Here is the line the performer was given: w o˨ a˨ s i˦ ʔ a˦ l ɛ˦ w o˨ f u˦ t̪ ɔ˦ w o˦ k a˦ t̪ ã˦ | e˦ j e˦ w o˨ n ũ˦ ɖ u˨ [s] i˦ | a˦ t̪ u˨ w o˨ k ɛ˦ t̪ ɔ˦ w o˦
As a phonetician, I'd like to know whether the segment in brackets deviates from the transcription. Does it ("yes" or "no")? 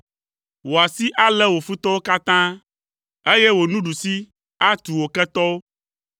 no